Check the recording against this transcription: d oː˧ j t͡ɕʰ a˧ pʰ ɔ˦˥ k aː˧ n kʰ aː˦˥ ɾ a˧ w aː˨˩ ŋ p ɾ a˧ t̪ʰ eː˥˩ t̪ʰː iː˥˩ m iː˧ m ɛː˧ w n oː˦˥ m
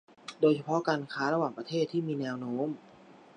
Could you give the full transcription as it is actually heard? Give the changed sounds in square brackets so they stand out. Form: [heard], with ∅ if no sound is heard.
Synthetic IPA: d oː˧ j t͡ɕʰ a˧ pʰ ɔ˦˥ k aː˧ n kʰ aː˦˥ ɾ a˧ w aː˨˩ ŋ p ɾ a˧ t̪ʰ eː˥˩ t̪ʰː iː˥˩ m iː˧ [n] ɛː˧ w n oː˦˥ m